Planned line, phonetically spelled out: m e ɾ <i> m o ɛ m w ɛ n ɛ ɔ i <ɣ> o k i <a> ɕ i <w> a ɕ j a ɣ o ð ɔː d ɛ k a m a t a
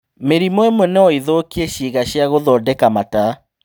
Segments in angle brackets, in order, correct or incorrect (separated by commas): correct, incorrect, incorrect, incorrect